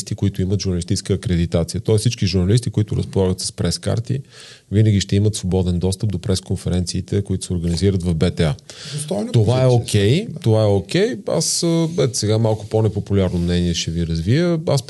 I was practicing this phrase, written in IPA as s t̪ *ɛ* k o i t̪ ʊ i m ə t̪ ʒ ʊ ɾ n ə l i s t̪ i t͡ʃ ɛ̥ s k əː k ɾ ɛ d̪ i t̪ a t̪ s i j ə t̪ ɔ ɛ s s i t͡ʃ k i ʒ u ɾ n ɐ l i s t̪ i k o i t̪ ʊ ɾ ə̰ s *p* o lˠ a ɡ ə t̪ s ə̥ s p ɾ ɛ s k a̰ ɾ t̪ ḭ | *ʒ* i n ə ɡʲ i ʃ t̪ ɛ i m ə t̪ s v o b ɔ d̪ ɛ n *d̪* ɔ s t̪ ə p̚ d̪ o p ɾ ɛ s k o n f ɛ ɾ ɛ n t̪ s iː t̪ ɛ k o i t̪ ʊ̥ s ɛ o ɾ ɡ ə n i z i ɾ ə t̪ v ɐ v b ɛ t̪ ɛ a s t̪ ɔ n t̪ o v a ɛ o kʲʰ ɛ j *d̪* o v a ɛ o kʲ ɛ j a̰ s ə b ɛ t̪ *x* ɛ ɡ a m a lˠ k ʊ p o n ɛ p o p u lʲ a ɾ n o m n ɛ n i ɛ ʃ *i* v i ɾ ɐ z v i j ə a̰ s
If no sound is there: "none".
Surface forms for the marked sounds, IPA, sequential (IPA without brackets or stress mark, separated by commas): i, p, v, d̪, t̪, s, ɛ